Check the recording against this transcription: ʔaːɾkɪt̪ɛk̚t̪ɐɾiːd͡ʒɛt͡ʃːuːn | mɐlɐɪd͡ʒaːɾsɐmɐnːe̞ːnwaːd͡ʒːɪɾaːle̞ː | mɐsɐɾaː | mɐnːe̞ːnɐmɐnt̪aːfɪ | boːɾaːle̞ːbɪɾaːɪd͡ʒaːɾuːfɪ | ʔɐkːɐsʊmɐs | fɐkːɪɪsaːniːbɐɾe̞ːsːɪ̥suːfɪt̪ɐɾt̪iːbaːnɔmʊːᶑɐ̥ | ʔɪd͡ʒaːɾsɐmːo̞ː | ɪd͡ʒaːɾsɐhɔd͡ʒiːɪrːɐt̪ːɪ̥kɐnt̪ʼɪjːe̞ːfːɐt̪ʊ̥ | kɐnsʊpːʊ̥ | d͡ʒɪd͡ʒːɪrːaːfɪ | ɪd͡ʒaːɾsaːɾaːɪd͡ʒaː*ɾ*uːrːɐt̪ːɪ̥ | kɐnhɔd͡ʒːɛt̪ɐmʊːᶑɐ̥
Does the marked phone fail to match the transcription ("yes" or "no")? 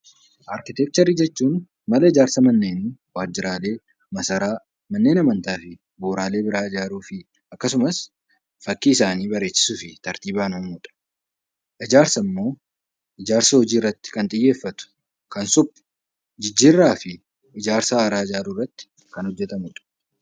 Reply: no